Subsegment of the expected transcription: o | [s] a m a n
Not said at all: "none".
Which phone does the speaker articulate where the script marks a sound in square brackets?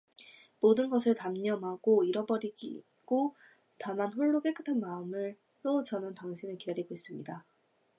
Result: t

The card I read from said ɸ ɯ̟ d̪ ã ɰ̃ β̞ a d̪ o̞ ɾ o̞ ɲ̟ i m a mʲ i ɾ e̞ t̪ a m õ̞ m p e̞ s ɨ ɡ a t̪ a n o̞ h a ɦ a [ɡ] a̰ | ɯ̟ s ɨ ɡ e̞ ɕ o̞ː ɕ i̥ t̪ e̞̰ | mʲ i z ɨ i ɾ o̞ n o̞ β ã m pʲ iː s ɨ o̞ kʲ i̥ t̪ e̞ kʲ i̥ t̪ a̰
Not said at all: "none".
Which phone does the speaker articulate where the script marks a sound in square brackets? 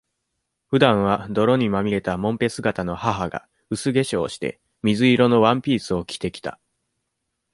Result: ɡ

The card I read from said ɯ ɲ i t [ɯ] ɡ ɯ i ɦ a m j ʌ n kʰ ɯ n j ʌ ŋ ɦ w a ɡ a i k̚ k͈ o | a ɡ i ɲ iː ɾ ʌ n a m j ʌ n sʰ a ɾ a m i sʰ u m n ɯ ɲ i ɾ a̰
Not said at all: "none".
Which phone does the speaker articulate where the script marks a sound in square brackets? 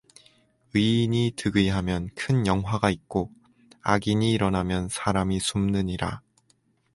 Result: ɯ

